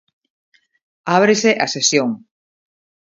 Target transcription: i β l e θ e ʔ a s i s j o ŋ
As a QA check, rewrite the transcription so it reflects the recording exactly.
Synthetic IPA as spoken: a β ɾ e s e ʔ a s e s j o ŋ